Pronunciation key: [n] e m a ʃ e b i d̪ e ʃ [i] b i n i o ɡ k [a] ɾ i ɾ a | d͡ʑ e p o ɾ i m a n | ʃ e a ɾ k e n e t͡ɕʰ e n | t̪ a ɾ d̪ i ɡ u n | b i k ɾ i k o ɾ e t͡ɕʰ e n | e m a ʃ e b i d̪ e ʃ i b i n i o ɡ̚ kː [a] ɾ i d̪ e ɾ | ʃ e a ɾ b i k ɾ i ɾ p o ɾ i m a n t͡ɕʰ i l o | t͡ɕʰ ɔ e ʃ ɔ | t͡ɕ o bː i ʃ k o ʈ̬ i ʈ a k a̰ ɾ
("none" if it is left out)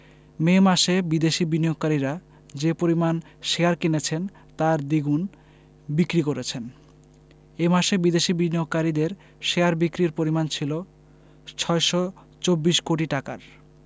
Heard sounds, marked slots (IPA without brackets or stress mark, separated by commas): m, i, a, a